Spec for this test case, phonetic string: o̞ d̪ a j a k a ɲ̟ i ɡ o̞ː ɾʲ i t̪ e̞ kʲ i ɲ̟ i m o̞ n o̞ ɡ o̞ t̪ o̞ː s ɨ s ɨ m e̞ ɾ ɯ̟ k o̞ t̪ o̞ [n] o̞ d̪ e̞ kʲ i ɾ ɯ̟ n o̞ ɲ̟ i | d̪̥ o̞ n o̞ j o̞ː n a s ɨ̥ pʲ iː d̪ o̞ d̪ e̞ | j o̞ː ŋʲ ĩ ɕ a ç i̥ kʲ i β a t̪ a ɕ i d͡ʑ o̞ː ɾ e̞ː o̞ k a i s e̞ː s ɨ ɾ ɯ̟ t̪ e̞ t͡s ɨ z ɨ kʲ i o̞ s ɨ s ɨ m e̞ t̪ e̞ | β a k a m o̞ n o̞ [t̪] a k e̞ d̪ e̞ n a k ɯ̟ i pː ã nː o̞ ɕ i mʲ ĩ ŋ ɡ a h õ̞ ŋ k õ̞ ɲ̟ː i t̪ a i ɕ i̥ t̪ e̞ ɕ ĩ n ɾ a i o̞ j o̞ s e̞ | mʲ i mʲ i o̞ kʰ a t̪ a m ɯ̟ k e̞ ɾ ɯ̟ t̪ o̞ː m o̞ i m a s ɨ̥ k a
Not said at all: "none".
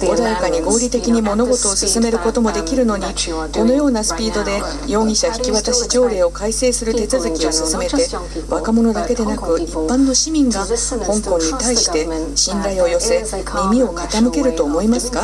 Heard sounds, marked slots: m, d̪

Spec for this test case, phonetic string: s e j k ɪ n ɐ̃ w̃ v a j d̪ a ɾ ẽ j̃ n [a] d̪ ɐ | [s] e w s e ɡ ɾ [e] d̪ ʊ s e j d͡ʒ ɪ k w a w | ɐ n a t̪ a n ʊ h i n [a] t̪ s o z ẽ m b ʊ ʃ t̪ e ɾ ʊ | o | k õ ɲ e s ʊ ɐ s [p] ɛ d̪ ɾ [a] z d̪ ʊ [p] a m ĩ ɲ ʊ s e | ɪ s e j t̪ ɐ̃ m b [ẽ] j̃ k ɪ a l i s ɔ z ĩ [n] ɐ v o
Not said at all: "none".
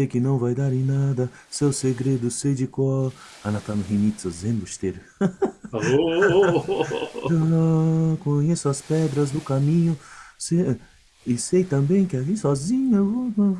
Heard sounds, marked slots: a, s, e, i, p, ɐ, k, ẽ, ɲ

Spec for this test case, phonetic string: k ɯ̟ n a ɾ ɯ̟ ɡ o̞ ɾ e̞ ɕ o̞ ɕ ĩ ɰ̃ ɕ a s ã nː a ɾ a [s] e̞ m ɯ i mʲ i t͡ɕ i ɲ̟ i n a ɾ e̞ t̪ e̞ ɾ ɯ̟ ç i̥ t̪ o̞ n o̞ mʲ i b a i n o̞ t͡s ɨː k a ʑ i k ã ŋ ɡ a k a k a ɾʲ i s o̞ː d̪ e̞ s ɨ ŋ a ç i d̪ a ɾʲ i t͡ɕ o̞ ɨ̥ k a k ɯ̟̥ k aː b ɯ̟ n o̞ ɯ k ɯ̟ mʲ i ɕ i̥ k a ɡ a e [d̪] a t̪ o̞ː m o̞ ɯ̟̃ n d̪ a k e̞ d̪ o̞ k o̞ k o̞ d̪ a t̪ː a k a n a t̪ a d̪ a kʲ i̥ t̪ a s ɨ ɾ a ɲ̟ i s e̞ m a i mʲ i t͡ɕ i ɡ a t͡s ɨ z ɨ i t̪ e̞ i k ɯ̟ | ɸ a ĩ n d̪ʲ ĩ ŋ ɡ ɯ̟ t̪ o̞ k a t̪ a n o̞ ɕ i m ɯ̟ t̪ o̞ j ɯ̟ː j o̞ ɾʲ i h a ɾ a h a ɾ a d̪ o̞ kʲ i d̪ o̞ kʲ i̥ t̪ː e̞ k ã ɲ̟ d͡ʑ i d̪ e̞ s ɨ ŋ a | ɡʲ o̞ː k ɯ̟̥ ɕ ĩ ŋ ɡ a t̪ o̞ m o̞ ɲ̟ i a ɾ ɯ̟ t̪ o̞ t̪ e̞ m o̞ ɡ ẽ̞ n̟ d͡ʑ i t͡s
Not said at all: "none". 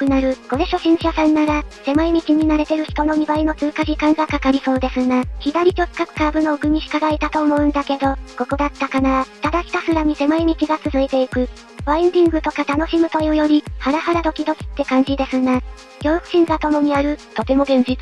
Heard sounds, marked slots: s, t̪

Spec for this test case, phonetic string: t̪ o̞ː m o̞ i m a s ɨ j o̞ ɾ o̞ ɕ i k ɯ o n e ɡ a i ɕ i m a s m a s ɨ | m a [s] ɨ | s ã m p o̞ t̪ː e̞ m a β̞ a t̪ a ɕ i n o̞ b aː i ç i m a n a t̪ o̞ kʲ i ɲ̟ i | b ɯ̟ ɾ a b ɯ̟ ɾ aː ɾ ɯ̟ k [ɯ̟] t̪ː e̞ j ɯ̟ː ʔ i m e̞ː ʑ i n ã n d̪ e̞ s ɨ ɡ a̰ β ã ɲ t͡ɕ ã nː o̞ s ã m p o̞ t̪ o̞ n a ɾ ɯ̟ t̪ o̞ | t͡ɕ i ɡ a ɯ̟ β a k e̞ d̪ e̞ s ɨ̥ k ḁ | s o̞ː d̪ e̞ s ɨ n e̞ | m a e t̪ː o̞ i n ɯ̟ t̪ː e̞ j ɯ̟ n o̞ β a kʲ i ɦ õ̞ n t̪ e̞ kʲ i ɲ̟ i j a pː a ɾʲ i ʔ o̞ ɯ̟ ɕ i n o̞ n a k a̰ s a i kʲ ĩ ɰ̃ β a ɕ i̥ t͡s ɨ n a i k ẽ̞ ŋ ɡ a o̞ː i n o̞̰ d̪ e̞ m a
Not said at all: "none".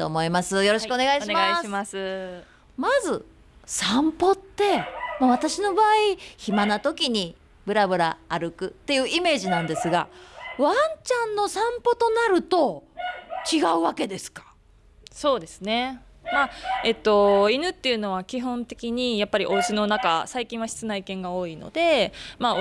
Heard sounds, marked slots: z, ɯ̟

